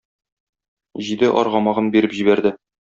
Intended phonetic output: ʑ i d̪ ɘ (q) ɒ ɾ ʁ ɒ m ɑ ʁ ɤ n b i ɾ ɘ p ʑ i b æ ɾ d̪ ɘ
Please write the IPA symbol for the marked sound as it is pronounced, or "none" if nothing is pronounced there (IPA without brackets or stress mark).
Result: ʔ